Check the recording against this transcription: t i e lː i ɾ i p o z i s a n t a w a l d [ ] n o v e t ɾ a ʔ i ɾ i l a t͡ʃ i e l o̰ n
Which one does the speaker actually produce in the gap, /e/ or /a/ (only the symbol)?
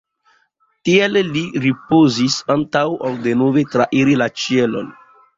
e